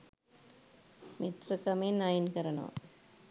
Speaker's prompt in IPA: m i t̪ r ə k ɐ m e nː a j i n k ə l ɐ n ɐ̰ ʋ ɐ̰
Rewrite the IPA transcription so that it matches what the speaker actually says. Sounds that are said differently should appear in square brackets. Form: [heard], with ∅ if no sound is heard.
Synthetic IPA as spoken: m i t̪ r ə k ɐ m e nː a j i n k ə [ɾ] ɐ n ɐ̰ ʋ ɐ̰